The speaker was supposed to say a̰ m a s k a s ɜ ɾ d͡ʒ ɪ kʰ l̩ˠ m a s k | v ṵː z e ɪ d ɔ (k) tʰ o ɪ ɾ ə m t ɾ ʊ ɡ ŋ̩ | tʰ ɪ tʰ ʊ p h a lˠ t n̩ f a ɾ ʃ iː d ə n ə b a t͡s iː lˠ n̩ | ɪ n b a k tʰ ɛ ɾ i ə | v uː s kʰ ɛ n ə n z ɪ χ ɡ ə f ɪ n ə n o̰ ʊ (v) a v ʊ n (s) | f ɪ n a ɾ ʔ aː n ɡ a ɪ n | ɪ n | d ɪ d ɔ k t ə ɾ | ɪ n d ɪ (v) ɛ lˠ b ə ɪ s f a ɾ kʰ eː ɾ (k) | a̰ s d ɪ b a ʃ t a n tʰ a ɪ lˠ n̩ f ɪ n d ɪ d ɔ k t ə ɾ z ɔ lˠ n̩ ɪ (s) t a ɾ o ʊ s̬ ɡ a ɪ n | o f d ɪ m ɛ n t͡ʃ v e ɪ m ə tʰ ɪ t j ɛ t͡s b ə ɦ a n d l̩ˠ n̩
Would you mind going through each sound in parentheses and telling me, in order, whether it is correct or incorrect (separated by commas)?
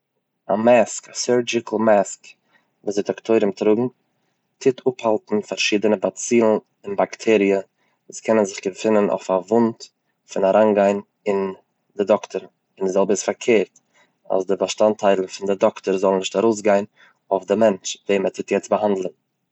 correct, incorrect, incorrect, incorrect, incorrect, incorrect